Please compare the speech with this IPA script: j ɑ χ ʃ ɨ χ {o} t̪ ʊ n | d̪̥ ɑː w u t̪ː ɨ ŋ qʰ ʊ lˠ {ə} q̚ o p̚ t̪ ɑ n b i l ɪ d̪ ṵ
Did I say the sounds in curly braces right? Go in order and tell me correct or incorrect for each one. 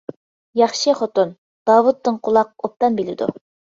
correct, incorrect

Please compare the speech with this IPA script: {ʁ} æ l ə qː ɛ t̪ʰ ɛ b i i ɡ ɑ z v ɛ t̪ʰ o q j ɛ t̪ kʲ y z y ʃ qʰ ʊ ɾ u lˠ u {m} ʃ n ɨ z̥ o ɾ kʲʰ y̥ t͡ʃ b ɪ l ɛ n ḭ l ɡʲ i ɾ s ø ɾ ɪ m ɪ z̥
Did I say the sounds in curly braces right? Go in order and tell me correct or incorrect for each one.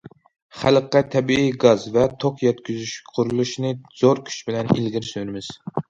incorrect, incorrect

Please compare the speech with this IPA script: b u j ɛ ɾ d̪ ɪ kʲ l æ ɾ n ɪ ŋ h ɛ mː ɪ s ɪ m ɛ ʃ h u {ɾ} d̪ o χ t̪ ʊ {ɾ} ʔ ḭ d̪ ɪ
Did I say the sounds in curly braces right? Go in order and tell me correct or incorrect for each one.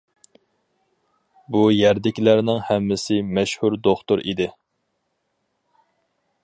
correct, correct

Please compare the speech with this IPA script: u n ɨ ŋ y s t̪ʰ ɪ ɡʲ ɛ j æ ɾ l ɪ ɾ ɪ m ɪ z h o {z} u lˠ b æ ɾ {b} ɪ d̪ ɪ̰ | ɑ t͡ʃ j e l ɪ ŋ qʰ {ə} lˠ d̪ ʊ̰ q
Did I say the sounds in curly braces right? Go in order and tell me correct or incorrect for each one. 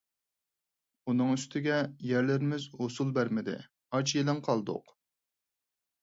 incorrect, incorrect, incorrect

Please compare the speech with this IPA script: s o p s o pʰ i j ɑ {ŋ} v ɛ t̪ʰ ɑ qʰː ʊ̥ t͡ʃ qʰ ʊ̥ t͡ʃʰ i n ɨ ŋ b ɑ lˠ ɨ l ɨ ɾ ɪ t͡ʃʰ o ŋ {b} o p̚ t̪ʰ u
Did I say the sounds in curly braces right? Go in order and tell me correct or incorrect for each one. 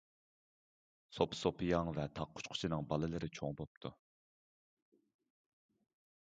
correct, correct

